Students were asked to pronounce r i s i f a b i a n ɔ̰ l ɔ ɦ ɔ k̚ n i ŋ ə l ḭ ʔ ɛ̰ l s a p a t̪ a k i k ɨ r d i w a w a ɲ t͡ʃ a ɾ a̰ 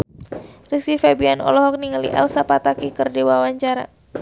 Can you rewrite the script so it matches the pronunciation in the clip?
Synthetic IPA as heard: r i s i f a b i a n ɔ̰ l ɔ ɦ ɔ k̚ n i ŋ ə l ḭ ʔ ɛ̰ l s a p a t̪ a k i k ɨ r d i w a w a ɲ t͡ʃ a ɾ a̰